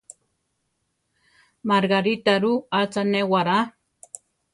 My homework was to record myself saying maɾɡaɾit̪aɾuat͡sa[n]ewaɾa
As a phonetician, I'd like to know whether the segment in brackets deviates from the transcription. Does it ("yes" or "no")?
no